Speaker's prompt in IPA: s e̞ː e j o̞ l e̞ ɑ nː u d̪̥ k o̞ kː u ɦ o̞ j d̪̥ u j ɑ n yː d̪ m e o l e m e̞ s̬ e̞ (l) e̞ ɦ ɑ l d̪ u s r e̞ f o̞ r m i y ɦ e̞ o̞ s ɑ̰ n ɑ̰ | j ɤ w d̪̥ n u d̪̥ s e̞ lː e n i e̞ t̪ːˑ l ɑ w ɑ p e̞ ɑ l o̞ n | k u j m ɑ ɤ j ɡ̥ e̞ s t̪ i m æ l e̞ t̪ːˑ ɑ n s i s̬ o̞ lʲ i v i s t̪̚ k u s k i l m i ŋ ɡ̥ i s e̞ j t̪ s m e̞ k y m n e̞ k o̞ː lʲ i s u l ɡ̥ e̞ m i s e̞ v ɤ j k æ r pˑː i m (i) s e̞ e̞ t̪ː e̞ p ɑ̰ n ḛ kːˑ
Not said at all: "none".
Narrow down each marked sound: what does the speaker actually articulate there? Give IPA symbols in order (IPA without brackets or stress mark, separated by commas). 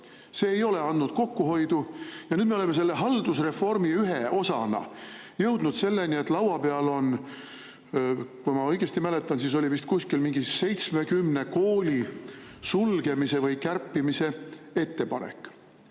lː, i